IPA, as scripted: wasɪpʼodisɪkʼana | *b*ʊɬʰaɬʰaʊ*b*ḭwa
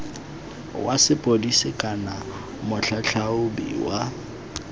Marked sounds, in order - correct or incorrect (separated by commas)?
incorrect, correct